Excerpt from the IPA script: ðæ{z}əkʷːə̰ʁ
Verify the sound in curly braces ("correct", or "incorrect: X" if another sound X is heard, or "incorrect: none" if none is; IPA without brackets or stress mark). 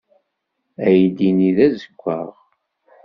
correct